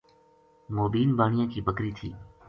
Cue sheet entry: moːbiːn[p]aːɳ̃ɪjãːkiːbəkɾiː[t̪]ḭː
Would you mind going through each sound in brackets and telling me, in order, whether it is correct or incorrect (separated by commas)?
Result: incorrect, incorrect